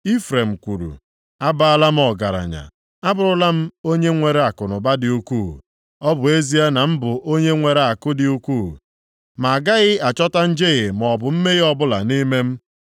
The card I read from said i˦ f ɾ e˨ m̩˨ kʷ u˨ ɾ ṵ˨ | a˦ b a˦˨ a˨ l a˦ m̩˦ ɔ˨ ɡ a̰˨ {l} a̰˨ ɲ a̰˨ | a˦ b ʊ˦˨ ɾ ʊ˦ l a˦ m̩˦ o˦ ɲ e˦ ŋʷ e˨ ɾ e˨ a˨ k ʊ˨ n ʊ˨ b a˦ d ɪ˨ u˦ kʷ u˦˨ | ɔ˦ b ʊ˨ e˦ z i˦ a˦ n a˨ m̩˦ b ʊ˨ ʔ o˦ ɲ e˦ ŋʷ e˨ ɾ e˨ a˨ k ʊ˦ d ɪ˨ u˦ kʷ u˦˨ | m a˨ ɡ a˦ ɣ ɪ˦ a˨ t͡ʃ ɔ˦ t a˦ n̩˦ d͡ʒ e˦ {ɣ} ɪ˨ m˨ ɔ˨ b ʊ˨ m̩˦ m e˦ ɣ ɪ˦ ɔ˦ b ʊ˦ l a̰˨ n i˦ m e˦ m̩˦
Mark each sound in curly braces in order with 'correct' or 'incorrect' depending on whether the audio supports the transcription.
incorrect: ɾ, correct

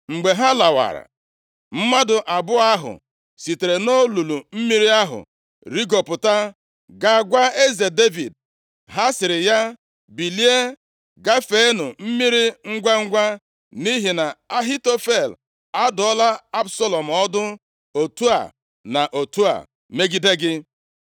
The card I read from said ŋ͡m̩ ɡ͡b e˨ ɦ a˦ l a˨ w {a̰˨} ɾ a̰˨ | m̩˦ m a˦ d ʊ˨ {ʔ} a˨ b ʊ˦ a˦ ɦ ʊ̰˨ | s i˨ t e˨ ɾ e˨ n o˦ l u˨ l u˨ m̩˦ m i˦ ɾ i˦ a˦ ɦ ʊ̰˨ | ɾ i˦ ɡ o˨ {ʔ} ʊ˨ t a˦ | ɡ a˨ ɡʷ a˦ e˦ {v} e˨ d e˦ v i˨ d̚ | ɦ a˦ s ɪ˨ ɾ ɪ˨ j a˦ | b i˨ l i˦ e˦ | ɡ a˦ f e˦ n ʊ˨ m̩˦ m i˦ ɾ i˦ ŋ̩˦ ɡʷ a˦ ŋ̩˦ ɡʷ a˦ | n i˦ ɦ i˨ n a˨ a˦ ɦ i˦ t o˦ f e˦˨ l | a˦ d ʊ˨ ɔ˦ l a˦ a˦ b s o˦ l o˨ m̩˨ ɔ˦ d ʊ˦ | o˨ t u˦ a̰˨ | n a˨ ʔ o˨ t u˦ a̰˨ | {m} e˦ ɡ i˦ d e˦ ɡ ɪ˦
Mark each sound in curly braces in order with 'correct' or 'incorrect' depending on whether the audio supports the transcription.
correct, correct, incorrect: p, incorrect: z, correct

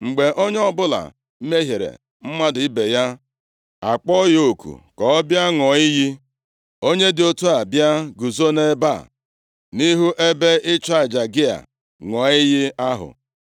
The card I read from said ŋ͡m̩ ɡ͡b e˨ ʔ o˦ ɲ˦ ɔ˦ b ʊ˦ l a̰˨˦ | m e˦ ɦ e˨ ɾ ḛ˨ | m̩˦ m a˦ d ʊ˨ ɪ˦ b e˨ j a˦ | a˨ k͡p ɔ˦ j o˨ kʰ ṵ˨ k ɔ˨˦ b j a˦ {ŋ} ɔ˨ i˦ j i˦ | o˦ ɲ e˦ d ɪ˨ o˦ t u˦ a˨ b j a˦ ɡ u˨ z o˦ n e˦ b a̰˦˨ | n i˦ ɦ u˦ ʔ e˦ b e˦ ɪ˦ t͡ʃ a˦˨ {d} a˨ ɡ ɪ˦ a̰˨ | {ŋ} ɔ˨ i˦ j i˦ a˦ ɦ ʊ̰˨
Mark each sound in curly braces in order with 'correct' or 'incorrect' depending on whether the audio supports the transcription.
correct, incorrect: d͡ʒ, correct

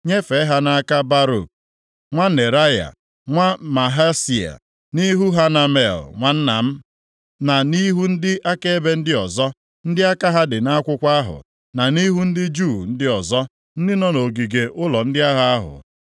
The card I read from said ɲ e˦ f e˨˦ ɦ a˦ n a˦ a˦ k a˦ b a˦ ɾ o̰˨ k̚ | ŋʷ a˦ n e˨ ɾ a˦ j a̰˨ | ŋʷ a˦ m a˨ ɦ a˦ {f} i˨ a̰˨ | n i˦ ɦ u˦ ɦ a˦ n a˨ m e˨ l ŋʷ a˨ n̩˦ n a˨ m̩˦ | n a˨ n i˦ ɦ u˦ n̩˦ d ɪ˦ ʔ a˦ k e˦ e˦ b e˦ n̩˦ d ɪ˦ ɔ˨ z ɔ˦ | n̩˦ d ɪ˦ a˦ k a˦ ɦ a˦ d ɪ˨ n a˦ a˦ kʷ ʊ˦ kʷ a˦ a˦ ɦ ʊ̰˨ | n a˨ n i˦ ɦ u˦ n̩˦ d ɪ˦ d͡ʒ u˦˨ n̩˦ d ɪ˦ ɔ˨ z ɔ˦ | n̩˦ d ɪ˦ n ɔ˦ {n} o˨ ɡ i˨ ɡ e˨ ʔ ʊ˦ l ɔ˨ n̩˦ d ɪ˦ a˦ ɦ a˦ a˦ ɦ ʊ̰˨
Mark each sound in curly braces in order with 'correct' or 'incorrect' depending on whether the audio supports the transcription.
incorrect: s, correct

